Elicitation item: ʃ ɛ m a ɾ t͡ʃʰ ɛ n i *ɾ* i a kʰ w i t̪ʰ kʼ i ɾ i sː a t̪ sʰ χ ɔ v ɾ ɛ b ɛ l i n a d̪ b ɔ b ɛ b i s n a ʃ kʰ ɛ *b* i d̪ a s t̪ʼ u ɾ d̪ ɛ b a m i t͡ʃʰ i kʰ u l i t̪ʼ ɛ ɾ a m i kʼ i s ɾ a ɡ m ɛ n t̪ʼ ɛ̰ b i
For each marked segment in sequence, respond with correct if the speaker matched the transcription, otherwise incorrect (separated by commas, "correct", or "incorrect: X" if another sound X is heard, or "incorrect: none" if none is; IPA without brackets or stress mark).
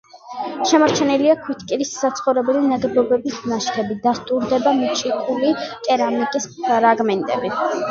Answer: incorrect: l, correct